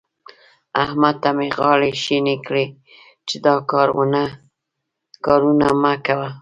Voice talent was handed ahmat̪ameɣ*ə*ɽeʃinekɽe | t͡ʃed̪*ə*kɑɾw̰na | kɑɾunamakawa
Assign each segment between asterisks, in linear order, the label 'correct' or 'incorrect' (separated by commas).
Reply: incorrect, incorrect